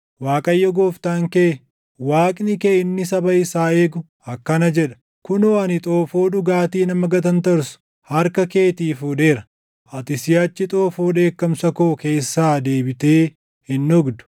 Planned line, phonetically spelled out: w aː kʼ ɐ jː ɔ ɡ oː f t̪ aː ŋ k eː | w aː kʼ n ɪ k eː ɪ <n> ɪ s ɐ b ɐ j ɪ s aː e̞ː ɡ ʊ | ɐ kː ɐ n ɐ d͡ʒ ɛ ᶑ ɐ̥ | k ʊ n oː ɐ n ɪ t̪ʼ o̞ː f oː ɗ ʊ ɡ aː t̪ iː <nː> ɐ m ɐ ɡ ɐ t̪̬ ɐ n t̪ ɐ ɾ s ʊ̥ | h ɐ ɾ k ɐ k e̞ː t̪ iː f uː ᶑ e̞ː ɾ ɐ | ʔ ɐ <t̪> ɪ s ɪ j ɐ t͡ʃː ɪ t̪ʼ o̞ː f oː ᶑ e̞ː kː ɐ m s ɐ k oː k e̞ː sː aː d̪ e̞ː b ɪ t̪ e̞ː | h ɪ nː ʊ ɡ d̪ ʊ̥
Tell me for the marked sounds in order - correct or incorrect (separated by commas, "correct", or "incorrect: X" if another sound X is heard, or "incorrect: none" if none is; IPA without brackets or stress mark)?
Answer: incorrect: nː, incorrect: n, correct